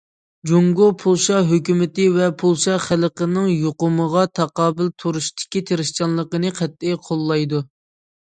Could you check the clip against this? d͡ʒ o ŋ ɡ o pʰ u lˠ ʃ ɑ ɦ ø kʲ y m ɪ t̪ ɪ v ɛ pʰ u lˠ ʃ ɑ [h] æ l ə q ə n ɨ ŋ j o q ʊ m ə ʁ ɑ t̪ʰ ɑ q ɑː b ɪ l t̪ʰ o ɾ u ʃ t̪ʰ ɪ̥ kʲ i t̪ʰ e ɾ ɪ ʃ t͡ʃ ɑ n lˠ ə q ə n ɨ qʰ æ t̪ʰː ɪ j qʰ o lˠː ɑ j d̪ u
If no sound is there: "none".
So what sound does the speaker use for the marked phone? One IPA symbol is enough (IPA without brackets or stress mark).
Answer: χ